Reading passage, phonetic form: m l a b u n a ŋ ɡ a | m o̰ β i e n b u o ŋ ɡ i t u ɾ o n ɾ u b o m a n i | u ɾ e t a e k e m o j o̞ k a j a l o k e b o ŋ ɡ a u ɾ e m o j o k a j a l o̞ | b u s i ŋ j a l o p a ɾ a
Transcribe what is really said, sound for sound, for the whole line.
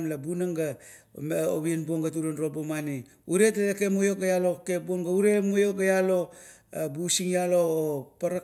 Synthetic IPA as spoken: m l a b u n a ŋ ɡ a | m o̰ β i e n b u o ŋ ɡ a t u ɾ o n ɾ o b o m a n i | u ɾ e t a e k e m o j o̞ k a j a l o k e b o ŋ ɡ a u ɾ e m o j o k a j a l o̞ | b u s i ŋ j a l o p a ɾ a